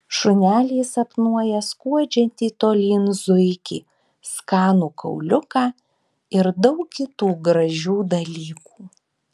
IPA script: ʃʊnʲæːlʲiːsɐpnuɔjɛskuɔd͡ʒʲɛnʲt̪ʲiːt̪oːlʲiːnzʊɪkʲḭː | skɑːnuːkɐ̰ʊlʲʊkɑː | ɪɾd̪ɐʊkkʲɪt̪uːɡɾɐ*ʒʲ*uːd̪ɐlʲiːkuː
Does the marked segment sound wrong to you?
no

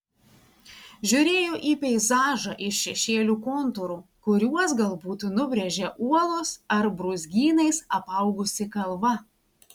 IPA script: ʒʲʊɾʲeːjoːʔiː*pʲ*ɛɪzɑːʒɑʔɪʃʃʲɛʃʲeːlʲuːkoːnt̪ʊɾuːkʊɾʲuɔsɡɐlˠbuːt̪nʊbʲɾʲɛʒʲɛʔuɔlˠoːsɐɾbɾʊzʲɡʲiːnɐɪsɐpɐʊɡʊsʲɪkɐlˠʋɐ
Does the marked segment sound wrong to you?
no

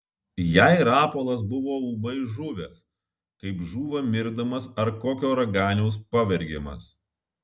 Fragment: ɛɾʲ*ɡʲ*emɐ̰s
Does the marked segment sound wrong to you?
no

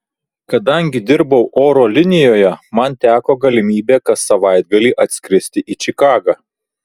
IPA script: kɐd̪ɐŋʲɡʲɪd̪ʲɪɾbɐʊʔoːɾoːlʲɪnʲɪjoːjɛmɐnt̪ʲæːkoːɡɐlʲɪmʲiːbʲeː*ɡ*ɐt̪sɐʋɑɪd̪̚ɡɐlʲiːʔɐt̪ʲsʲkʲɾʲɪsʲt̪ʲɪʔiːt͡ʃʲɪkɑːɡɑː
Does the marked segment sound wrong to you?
yes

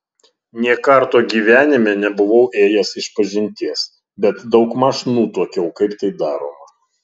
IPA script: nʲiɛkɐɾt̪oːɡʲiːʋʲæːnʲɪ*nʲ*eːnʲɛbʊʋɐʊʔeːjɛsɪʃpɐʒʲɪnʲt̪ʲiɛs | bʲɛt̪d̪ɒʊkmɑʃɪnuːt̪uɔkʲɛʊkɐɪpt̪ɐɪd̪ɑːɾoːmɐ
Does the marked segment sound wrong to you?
yes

